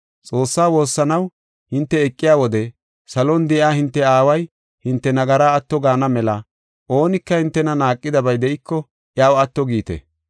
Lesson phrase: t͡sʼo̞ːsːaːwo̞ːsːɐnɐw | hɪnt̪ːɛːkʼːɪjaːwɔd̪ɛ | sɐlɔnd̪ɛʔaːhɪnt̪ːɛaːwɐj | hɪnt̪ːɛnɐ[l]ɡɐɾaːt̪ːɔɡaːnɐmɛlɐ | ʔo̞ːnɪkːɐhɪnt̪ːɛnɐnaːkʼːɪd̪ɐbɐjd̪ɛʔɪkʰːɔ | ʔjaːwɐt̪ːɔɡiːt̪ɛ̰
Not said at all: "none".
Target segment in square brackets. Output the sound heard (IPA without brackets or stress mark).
none